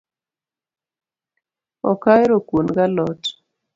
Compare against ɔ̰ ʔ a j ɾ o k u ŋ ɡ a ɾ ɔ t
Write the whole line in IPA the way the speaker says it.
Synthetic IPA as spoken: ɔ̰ k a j ɾ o k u n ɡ a l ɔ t